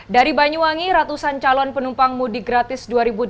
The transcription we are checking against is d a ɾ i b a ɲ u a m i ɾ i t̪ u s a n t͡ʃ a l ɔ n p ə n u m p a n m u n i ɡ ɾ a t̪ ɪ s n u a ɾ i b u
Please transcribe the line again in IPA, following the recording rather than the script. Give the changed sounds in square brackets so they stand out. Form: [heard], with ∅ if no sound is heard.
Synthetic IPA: d a ɾ i b a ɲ u a [ŋ] i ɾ [a] t̪ u s a n t͡ʃ a l ɔ n p ə n u m p a [ŋ] m u [d] i ɡ ɾ a t̪ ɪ s [d] u a ɾ i b u

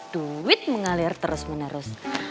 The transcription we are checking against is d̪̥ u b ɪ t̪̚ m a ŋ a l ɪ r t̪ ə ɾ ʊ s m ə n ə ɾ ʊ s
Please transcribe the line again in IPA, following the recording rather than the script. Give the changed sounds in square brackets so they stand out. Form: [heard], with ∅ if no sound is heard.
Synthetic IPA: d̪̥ u [w] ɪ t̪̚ m [ə] ŋ a l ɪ r t̪ ə ɾ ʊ s m ə n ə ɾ ʊ s

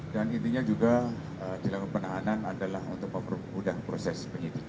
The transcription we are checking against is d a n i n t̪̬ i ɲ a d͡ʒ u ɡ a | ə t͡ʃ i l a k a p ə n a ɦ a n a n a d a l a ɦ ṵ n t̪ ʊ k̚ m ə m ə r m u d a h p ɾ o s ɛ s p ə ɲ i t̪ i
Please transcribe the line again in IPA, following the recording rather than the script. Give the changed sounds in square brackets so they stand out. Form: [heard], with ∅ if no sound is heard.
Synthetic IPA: d a n i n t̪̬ i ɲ a d͡ʒ u ɡ a | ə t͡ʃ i l a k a p ə n a ɦ a n a n a d a l a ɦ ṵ n t̪ ʊ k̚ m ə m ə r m u d a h p ɾ o s ɛ s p ə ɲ i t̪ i

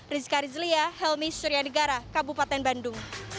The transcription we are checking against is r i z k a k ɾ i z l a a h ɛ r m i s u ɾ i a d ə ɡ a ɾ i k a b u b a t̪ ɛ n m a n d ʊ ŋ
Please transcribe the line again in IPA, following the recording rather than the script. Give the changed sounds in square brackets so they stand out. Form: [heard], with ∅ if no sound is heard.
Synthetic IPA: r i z k a [∅] ɾ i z l [i] a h ɛ [l] m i s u ɾ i a [n] ə ɡ a ɾ [a] k a b u [p] a t̪ ɛ n [b] a n d ʊ ŋ

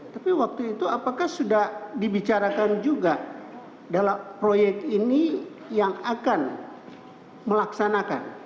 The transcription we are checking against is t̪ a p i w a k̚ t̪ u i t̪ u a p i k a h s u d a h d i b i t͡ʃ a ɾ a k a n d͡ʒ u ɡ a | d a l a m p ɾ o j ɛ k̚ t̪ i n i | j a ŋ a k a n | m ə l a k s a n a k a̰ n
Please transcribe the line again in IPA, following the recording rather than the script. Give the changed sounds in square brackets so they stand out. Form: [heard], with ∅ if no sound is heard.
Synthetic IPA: t̪ a p i w a k̚ t̪ u i t̪ u a p [a] k a h s u d a h d i b i t͡ʃ a ɾ a k a n d͡ʒ u ɡ a | d a l a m p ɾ o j ɛ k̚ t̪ i n i | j a ŋ a k a n | m ə l a k s a n a k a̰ n

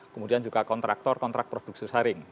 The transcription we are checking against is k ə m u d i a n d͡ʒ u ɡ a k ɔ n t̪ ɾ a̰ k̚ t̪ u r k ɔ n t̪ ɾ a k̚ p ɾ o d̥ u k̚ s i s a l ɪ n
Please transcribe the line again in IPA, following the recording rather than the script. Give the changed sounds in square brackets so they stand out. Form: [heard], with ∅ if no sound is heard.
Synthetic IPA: k ə m u d i a n d͡ʒ u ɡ a k ɔ n t̪ ɾ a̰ k̚ t̪ [ɔ] r k ɔ n t̪ ɾ a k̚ p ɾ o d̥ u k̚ s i s a [ɾ] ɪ [ŋ]

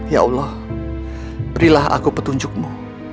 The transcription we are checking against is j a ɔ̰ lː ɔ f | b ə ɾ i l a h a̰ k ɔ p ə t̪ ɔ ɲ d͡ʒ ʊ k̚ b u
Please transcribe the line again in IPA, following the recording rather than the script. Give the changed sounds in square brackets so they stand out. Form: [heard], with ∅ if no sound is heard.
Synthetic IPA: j a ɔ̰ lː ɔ [h] | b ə ɾ i l a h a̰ k [u] p ə t̪ [u] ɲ d͡ʒ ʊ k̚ [m] u

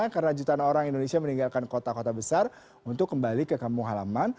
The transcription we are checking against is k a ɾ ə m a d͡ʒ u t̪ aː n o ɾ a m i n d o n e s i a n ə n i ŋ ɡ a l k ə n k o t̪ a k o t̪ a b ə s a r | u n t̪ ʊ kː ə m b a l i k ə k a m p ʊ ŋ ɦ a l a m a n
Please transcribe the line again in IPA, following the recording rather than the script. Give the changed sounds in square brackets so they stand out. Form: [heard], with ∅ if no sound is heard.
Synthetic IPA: k a ɾ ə [n] a d͡ʒ u t̪ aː n o ɾ a [ŋ] i n d o n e s i a [m] ə n i ŋ ɡ a l k [a] n k o t̪ a k o t̪ a b ə s a r | u n t̪ ʊ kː ə m b a l i k ə k a m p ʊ ŋ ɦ a l a m a n

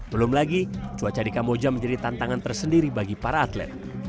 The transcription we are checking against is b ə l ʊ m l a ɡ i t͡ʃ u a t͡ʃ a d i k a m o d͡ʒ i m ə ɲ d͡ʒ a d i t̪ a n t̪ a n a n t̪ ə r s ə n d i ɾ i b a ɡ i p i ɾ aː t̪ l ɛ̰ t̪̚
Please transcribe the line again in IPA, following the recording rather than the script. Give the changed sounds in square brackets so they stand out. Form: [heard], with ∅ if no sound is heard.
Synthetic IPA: b ə l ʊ m l a ɡ i t͡ʃ u a t͡ʃ a d i k a m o d͡ʒ [a] m ə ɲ d͡ʒ a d i t̪ a n t̪ a [ŋ] a n t̪ ə r s ə n d i ɾ i b a ɡ i p [a] ɾ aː t̪ l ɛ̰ t̪̚

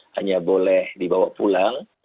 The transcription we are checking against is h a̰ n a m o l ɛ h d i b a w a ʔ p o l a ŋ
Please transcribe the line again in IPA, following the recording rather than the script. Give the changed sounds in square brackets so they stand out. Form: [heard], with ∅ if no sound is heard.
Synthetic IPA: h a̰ [ɲ] a [b] o l ɛ h d i b a w a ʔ p [u] l a ŋ

